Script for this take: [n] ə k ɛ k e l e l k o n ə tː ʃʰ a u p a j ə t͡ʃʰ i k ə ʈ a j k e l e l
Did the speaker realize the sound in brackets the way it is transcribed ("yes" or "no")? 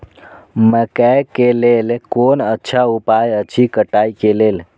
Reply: no